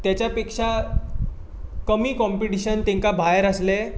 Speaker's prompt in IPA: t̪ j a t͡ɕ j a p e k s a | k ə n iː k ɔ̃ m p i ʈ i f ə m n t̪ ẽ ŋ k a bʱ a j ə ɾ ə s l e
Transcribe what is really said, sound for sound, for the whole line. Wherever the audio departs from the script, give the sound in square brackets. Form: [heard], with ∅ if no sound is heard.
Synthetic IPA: t̪ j a t͡ɕ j a p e k [ʂ] a | k ə [m] iː k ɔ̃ m p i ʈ i [ɕ] ə [∅] n t̪ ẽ ŋ k a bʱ a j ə ɾ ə s l e